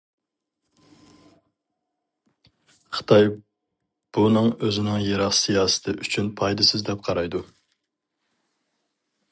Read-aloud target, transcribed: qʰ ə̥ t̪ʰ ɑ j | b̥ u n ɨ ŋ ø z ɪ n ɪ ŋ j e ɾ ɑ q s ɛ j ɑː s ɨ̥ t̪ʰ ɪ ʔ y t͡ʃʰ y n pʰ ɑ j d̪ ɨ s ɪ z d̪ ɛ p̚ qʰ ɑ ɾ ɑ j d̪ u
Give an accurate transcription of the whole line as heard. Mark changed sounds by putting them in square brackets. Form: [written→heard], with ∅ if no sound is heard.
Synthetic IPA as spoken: qʰ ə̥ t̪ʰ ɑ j | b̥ u n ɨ ŋ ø z ɪ n ɪ ŋ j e ɾ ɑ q s [ɛ→i] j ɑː s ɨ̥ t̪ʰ ɪ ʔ y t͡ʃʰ y n pʰ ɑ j d̪ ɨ s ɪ z d̪ ɛ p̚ qʰ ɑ ɾ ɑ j d̪ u